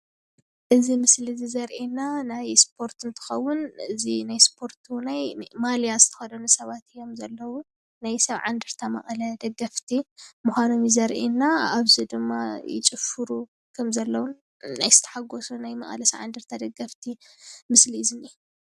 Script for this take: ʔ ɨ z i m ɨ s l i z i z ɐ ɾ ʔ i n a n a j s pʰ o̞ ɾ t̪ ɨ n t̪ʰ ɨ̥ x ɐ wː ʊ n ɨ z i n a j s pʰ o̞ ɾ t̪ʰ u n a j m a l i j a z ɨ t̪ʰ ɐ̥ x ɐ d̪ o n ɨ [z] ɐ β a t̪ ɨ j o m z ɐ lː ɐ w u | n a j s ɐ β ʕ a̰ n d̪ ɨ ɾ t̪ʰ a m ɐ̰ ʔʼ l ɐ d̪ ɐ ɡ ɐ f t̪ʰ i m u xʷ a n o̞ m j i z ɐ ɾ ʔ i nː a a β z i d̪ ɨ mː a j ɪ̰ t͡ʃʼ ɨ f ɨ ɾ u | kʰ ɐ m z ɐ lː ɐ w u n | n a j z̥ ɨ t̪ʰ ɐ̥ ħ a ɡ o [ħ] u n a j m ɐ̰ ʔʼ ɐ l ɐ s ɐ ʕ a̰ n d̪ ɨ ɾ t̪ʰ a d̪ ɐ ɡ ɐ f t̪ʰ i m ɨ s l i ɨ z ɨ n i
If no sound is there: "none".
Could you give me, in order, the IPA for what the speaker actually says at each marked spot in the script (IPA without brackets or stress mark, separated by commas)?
s, s